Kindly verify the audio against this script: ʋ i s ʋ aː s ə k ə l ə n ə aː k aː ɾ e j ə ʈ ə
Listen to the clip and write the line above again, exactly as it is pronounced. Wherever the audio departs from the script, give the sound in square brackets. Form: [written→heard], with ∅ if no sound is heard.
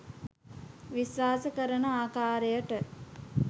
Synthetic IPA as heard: ʋ i s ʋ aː s ə k ə [l→ɾ] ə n ə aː k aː ɾ e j ə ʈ ə